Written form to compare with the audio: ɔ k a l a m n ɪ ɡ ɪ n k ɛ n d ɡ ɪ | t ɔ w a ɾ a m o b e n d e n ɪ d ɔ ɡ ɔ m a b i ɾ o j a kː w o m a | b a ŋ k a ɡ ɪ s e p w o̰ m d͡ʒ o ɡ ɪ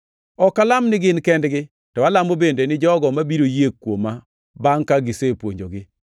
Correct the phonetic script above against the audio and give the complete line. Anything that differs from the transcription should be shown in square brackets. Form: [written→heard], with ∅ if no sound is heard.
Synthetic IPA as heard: ɔ k a l a m n ɪ ɡ ɪ n k ɛ n d ɡ ɪ | t ɔ w a [ɾ→l] a m o b e n d e n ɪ [d→d͡ʒ] ɔ ɡ ɔ m a b i ɾ o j [a→e] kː w o m a | b a ŋ k a ɡ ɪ s e p w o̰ [m→ɲ] d͡ʒ o ɡ ɪ